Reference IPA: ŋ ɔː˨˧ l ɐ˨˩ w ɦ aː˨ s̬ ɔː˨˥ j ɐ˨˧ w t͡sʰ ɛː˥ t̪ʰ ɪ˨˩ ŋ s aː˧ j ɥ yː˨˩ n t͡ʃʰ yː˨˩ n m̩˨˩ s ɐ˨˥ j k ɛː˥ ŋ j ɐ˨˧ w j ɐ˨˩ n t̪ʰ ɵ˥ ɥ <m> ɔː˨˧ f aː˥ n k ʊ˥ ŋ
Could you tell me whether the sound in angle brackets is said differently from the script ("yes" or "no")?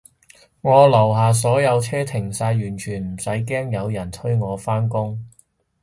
yes